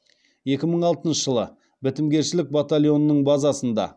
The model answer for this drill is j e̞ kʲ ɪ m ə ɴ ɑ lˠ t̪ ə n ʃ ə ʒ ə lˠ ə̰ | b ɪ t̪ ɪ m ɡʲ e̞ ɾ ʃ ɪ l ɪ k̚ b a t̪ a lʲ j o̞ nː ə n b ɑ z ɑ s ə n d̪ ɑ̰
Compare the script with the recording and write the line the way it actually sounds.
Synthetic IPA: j e̞ kʲ ɪ m ə ɴ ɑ lˠ t̪ ə n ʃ ə ʒ ə lˠ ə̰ | b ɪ t̪ ɪ m ɡʲ e̞ ɾ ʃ ɪ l ɪ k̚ b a t̪ a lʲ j o̞ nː ə ɴ b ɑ z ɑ s ə n d̪ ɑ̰